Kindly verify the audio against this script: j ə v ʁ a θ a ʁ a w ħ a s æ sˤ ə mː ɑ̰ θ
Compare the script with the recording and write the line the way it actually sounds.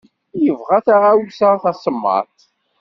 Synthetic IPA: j ə v ʁ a θ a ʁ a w s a θ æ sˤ ə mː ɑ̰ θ